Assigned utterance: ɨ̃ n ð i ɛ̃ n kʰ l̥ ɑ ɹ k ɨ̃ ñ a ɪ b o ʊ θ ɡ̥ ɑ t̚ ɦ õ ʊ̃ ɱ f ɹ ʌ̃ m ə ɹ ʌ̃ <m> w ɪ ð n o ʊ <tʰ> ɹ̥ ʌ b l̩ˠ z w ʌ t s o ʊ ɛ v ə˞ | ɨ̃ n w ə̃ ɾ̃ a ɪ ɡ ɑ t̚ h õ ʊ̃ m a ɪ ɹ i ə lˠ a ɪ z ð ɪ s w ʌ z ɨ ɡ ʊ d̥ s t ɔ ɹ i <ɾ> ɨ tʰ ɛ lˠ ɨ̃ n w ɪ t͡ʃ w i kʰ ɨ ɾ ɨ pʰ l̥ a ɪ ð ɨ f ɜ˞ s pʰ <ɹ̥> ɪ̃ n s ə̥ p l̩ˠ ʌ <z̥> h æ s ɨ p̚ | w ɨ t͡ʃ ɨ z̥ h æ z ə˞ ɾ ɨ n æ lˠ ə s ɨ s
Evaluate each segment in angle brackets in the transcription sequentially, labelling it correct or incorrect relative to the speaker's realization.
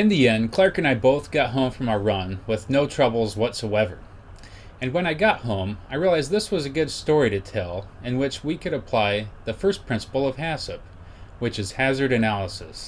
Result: incorrect: n, correct, correct, correct, incorrect: v̥

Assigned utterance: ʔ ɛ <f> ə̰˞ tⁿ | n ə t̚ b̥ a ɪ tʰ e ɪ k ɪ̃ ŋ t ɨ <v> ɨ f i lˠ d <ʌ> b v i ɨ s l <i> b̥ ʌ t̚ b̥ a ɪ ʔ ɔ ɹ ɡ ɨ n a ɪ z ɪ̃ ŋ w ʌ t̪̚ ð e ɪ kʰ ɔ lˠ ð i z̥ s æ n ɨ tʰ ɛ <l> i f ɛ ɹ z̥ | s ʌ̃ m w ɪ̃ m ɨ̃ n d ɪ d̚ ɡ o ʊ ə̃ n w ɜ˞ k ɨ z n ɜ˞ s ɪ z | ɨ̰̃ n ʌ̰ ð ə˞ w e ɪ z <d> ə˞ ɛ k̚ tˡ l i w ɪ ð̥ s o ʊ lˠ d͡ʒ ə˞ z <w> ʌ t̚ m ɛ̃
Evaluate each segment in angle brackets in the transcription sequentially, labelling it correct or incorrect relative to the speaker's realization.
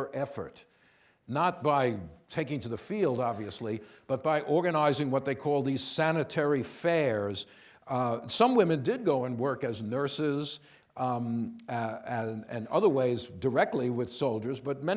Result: correct, incorrect: ð, incorrect: ɑ, correct, incorrect: ɹ, correct, incorrect: b

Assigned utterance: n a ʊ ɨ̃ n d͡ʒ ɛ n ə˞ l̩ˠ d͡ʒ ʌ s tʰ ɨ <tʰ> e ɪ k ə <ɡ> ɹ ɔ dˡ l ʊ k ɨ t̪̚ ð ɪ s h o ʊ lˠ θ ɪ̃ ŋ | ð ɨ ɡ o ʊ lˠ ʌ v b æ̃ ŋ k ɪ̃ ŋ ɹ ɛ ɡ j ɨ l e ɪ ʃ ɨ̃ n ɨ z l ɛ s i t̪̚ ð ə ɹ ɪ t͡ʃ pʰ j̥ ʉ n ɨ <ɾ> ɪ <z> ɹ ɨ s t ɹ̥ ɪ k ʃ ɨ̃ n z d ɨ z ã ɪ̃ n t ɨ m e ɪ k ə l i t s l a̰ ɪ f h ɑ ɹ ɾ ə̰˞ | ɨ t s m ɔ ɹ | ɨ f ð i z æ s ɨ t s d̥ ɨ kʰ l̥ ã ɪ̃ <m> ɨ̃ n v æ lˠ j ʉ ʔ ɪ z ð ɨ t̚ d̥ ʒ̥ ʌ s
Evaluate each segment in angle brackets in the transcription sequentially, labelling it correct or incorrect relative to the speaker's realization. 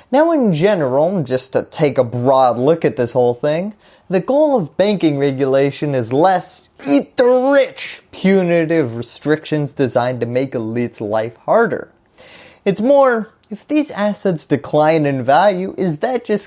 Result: correct, incorrect: b, correct, incorrect: v, incorrect: n

